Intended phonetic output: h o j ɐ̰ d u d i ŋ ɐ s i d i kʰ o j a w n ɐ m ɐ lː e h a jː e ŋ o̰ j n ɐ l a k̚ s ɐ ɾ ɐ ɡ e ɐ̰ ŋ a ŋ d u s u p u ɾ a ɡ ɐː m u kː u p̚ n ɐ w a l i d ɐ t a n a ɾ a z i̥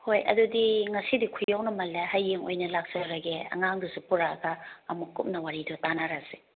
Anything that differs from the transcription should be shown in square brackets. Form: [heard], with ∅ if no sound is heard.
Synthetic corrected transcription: h o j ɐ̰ d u d i ŋ ɐ s i d i kʰ [u] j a w n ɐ m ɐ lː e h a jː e ŋ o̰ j n ɐ l a k̚ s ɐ ɾ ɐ ɡ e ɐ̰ ŋ a ŋ d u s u p u ɾ a ɡ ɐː m u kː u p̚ n ɐ w a [ɾ] i d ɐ t a n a ɾ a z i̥